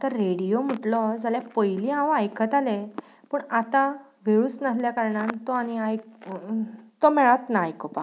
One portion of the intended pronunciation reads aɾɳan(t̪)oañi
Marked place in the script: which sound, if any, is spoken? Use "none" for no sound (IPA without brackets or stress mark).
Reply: t̪